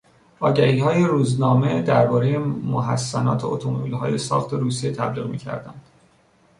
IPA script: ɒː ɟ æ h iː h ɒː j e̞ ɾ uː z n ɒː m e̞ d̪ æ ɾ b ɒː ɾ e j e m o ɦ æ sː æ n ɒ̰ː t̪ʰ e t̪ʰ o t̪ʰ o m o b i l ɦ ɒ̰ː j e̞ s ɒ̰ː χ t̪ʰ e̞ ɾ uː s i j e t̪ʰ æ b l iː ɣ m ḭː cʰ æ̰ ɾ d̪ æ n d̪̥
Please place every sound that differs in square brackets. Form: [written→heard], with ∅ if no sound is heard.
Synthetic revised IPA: ɒː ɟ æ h iː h ɒː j e̞ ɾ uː z n ɒː m e̞ d̪ æ ɾ b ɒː ɾ e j e m o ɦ æ sː æ n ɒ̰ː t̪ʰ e [t̪ʰ→∅] o t̪ʰ o m o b i l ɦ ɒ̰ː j e̞ s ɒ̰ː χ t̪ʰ e̞ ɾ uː s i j e t̪ʰ æ b l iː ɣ m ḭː cʰ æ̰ ɾ d̪ æ n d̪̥